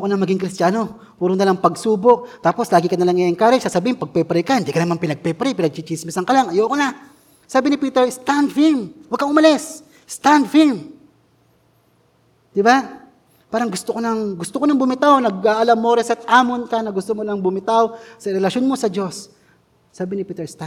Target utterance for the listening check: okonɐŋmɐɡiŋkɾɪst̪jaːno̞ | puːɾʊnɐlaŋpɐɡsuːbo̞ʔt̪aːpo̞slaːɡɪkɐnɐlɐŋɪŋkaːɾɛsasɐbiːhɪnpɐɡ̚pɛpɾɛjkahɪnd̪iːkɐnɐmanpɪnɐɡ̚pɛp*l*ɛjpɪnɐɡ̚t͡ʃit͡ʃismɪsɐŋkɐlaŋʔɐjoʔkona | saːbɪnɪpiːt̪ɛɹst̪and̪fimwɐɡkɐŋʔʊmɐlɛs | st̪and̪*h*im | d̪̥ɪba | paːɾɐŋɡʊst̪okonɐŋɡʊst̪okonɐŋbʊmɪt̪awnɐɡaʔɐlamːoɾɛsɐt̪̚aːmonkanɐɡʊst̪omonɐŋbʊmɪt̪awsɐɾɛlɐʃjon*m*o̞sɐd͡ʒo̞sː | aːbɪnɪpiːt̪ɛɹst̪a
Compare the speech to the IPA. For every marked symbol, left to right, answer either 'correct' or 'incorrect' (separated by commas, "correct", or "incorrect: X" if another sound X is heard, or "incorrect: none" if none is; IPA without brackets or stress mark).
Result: incorrect: ɾ, incorrect: f, correct